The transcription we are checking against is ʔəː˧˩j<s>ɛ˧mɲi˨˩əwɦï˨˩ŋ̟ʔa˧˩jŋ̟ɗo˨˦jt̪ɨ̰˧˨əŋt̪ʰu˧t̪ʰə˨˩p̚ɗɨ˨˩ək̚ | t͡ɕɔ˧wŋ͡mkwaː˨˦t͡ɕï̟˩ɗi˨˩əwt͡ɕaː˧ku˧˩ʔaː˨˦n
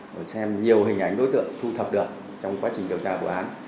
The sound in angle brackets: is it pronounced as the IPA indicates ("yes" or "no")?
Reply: yes